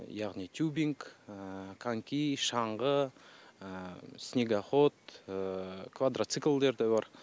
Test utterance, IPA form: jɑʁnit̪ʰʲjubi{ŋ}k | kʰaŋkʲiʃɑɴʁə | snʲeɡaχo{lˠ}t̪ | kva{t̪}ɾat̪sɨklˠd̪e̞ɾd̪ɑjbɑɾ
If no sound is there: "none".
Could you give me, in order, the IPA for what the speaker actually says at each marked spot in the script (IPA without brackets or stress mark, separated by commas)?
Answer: ŋ, none, d̪